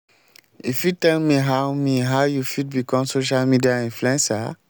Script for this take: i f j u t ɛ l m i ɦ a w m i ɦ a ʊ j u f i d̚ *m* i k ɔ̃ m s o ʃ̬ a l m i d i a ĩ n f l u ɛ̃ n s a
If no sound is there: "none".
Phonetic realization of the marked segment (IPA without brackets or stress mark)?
b